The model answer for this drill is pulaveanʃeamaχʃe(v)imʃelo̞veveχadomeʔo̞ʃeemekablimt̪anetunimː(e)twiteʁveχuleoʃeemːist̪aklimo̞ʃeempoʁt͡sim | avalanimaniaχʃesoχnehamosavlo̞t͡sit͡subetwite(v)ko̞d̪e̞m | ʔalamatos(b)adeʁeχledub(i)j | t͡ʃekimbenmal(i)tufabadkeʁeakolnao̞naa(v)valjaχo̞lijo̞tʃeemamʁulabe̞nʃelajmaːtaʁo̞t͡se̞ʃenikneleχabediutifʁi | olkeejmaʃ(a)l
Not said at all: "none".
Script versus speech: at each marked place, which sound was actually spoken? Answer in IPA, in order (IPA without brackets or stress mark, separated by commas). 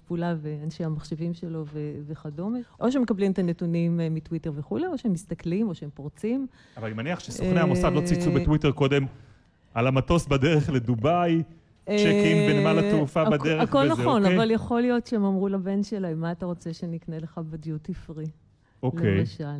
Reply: v, i, ʁ, b, a, a, v, a